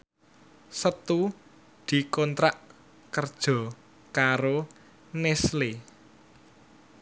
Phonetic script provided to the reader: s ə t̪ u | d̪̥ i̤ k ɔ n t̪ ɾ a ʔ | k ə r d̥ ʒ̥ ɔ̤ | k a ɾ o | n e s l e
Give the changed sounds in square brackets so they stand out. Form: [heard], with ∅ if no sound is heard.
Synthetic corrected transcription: s ə t̪ u | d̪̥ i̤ k ɔ n t̪ ɾ a ʔ | k ə r d̥ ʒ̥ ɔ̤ | k a ɾ o | n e s l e